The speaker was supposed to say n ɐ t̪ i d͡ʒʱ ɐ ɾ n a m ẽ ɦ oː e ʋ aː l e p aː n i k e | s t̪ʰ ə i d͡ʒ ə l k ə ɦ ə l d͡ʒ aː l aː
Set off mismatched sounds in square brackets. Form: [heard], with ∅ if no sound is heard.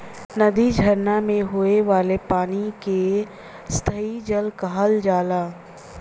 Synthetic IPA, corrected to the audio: n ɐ [d̪] i d͡ʒʱ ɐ ɾ n a m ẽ ɦ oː e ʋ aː l e p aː n i k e | s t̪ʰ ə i d͡ʒ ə l k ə ɦ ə l d͡ʒ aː l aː

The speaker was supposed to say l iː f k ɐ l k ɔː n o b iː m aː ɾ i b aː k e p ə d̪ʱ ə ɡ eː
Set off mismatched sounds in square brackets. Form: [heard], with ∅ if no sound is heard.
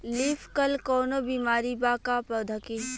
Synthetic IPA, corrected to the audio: l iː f k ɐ l k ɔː n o b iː m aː ɾ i b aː k [a] p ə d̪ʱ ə [k] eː

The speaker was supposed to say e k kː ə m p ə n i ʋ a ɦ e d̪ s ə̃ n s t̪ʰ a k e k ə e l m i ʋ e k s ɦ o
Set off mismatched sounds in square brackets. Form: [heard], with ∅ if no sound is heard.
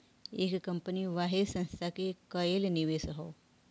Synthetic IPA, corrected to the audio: e k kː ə m p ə n i ʋ a ɦ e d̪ s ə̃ n s t̪ʰ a k e k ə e l [n] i ʋ e [∅] s ɦ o

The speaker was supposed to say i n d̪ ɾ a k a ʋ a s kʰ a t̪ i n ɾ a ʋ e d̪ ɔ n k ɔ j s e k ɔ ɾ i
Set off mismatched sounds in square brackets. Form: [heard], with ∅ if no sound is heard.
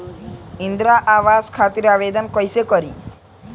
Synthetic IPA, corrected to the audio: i n d̪ ɾ a [ʔ] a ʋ a s kʰ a t̪ i [∅] ɾ a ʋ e d̪ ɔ n k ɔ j s e k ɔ ɾ i

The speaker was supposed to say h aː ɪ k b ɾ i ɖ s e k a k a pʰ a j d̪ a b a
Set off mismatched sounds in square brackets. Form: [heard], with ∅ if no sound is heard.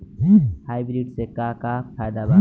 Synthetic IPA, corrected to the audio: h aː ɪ [∅] b ɾ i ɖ s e k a k a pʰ a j d̪ a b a

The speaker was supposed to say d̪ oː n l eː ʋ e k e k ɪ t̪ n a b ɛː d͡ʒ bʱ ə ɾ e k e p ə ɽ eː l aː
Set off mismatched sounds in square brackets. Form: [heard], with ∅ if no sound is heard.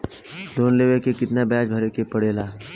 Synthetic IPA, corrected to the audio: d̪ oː n l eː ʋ e k e k ɪ t̪ n a b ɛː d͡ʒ bʱ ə ɾ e k e p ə ɽ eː l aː

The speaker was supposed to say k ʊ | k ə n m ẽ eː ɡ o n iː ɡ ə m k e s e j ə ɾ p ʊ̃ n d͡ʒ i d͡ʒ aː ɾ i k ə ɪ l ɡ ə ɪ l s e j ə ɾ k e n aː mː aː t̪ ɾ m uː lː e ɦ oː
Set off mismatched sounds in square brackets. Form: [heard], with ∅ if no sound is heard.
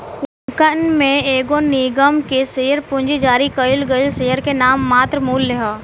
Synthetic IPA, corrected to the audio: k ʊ | k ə n m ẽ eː ɡ o n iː ɡ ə m k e s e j ə ɾ p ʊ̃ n d͡ʒ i d͡ʒ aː ɾ i k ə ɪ l ɡ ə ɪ l s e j ə ɾ k e n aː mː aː t̪ ɾ m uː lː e ɦ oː

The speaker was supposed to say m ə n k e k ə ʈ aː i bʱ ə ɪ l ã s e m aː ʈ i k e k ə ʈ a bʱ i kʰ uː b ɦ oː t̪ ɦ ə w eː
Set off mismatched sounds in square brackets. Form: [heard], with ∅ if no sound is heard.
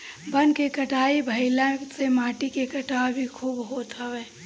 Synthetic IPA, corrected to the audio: [b] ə n k e k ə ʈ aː i bʱ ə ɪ l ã s e m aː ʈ i k e k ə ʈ a bʱ i kʰ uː b ɦ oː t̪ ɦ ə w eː

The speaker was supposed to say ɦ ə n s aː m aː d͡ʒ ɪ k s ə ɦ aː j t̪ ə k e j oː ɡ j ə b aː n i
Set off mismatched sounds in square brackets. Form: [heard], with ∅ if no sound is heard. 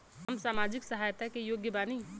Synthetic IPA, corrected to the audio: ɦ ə [m] s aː m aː d͡ʒ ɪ k s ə ɦ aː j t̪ [a] k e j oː ɡ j ə b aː n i

